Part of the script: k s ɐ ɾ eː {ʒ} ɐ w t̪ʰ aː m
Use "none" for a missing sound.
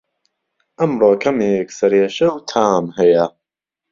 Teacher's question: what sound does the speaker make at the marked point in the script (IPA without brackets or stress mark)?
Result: ʃ